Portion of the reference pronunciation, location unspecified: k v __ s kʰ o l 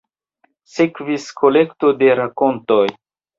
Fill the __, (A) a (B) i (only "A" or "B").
B